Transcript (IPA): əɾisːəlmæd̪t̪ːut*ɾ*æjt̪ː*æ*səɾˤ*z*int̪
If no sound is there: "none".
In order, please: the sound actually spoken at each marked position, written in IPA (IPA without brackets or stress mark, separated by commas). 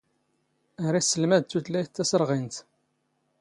l, æ, ʁ